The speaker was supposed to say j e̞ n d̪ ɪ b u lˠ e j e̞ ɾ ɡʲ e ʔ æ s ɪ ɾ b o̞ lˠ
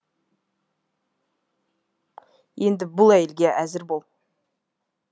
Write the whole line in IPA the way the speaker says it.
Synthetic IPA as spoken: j e̞ n d̪ ɪ b ʊ lˠ æ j e̞ l ɡʲ e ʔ æ z ɪ ɾ b o̞ lˠ